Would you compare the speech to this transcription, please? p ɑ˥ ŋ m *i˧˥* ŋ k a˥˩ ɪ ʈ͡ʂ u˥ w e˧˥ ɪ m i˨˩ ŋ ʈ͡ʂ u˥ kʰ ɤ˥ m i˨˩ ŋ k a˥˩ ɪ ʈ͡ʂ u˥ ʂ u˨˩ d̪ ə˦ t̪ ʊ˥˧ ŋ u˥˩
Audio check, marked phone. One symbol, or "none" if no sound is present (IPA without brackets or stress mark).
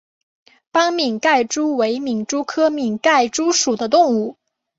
i˨˩